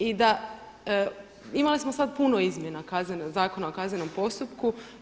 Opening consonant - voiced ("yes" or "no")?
yes